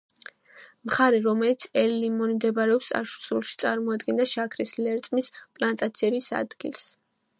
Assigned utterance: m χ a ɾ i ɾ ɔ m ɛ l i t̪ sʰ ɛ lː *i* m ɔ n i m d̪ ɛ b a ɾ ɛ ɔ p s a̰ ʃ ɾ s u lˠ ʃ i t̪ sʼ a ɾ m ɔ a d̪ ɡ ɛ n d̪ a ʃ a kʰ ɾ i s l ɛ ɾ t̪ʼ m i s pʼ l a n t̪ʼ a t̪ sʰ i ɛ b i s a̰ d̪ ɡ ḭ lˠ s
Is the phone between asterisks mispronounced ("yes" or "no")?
no